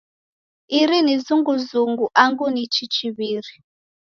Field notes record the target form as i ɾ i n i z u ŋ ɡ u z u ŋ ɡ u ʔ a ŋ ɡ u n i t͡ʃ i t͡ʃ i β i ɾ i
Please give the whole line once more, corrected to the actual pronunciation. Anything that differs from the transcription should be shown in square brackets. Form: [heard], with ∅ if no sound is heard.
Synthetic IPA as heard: i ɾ i n i z u ŋ ɡ u z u ŋ ɡ u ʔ a ŋ ɡ u n i t͡ʃ i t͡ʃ i β i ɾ i